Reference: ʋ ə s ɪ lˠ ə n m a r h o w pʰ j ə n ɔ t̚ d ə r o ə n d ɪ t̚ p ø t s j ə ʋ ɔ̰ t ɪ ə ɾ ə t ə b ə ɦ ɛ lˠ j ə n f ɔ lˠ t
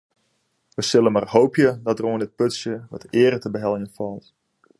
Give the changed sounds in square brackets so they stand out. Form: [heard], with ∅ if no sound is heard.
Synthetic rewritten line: ʋ ə s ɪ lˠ ə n m a r h o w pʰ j ə [d] ɔ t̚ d ə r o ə n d ɪ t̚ p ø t s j ə ʋ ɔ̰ t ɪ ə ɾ ə t ə b ə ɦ ɛ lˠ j ə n f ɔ lˠ t